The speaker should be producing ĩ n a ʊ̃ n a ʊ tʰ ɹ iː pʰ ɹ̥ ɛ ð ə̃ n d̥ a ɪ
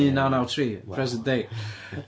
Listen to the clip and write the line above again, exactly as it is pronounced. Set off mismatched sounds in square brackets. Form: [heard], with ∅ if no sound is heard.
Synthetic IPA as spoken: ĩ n a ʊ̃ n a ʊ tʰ ɹ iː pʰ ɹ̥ ɛ [z] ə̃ n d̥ [e] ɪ